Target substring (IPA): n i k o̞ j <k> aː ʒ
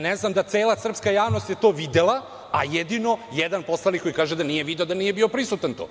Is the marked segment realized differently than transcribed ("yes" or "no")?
no